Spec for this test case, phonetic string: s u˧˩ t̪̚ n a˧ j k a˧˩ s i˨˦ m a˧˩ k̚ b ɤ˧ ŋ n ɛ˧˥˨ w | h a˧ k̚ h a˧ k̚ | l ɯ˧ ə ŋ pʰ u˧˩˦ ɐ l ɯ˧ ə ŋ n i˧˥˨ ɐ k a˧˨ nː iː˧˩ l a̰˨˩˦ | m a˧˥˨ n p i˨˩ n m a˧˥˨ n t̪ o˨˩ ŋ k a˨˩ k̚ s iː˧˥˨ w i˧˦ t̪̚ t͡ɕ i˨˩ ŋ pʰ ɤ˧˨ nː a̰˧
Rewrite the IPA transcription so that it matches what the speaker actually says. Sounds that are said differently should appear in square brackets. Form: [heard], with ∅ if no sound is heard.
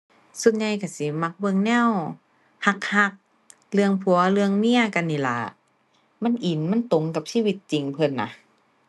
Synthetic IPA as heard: s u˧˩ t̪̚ [ɲ] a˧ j k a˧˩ s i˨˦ m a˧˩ k̚ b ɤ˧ ŋ n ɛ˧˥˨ w | h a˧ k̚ h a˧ k̚ | l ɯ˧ ə ŋ pʰ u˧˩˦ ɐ l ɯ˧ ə ŋ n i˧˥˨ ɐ k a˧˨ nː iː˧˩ l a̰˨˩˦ | m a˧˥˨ n [ʔ] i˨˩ n m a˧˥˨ n t̪ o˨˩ ŋ k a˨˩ [p̚] s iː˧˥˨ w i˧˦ t̪̚ t͡ɕ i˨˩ ŋ pʰ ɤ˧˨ nː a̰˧